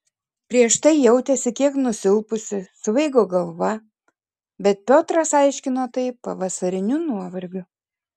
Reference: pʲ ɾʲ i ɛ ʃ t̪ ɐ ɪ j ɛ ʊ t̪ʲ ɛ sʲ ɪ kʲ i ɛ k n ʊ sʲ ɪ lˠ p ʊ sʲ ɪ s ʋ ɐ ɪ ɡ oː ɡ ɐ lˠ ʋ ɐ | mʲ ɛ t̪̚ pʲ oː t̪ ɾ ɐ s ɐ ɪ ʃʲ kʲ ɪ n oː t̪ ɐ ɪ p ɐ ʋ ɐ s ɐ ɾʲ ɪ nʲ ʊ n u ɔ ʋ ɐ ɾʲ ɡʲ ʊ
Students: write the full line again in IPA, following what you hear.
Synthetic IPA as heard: pʲ ɾʲ i ɛ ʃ t̪ ɐ ɪ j ɛ ʊ t̪ʲ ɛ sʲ ɪ kʲ i ɛ k n ʊ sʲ ɪ lˠ p ʊ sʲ ɪ s ʋ ɐ ɪ ɡ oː ɡ ɐ lˠ ʋ ɐ | bʲ ɛ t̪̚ pʲ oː t̪ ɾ ɐ s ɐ ɪ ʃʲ kʲ ɪ n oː t̪ ɐ ɪ p ɐ ʋ ɐ s ɐ ɾʲ ɪ nʲ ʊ n u ɔ ʋ ɐ ɾʲ ɡʲ ʊ